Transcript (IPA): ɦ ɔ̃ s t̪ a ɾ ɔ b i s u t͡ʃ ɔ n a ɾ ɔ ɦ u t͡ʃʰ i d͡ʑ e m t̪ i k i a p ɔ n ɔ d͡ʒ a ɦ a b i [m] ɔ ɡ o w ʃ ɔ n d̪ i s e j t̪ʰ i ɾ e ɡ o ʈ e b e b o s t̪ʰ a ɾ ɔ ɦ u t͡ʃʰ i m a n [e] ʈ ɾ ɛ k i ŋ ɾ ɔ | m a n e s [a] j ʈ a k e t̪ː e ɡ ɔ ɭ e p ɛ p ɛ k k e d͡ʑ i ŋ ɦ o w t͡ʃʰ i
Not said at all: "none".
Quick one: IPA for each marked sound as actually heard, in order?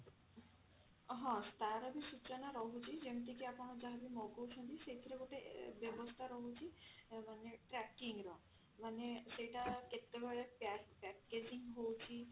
m, e, e

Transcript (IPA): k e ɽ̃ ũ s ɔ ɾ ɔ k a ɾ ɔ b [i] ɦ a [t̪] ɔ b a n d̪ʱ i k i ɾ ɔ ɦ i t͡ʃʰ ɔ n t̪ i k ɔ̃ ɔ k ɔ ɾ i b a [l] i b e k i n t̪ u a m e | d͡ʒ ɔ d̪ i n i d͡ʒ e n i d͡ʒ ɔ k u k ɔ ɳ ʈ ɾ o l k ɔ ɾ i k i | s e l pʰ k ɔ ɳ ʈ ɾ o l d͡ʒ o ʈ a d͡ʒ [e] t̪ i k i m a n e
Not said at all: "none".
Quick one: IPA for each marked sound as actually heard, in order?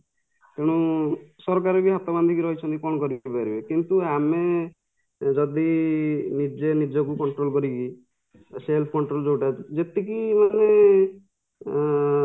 i, t̪, ɾ, e

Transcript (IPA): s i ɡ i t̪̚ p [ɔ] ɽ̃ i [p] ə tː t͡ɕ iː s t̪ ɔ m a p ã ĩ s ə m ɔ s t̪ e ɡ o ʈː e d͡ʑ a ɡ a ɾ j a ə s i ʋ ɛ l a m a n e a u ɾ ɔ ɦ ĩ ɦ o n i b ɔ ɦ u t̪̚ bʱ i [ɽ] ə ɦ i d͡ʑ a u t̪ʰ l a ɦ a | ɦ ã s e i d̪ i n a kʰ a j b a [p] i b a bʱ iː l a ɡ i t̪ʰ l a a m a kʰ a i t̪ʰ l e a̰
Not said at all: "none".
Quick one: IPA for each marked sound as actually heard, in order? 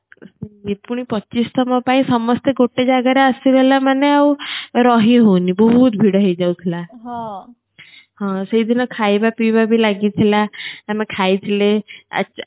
u, p, ɽ, p

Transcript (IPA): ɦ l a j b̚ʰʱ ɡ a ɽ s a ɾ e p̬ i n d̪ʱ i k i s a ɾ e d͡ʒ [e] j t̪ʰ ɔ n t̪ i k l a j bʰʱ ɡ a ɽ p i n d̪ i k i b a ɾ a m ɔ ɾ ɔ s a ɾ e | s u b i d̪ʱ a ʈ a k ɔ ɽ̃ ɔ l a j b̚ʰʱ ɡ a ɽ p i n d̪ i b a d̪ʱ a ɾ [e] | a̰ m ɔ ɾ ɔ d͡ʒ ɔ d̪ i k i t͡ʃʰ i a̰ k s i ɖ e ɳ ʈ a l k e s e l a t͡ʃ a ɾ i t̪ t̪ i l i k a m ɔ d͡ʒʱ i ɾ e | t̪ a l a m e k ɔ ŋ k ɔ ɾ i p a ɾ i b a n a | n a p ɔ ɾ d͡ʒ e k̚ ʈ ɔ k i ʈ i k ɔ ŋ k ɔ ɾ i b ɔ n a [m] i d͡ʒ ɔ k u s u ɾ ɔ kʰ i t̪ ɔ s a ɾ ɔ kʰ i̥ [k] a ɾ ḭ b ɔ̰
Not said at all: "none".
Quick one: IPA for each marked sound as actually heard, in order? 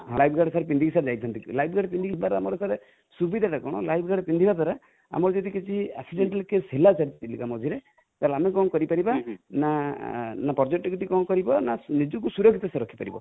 a, a, n, p

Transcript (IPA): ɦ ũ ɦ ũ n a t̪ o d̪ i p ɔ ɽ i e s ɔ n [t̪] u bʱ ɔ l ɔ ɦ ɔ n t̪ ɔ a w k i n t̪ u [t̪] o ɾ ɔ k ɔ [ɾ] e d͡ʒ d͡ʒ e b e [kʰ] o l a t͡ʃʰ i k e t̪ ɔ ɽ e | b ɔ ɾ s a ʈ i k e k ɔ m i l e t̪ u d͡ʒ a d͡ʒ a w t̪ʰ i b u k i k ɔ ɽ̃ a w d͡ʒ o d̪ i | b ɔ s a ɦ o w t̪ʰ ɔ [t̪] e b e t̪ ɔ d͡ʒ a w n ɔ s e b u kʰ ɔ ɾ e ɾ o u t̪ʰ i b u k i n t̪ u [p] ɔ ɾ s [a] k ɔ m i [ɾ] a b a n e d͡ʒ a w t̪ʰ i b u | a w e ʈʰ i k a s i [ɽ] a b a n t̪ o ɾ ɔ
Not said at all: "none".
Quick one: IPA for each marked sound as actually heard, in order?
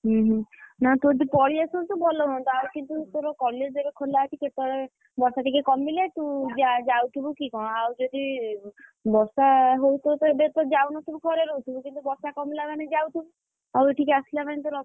t̪, t̪, l, kʰ, t̪, b, a, l, l

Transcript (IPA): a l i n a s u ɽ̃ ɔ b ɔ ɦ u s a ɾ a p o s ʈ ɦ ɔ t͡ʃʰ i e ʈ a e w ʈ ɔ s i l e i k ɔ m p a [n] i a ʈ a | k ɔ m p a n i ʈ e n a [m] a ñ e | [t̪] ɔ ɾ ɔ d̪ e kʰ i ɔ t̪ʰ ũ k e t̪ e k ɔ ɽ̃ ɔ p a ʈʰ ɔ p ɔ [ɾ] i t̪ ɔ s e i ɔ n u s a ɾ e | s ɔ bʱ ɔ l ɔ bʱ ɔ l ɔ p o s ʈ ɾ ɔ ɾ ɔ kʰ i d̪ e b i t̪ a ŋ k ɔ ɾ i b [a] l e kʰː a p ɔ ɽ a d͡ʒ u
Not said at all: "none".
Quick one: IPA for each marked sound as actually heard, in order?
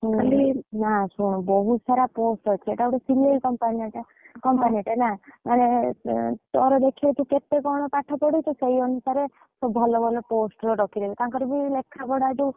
n, m, t̪, ɽ, i

